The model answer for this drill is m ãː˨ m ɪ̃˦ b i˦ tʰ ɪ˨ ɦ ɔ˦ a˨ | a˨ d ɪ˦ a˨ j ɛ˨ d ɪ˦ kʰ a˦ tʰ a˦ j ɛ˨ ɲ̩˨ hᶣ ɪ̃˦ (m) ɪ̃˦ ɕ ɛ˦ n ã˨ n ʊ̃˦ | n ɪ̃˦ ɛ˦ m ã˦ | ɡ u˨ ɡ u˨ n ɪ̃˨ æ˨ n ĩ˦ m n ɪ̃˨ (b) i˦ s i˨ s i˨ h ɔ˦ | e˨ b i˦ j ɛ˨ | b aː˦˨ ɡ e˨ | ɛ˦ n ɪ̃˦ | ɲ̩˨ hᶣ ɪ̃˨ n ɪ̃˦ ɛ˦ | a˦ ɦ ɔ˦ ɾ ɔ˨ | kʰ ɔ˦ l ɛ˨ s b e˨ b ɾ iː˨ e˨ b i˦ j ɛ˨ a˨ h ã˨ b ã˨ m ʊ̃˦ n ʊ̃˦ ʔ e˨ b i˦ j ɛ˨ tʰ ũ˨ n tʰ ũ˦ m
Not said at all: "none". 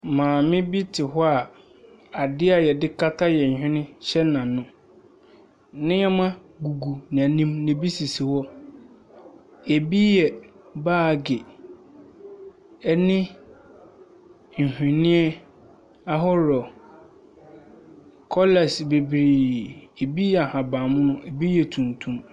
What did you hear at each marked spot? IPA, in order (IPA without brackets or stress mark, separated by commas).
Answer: n, b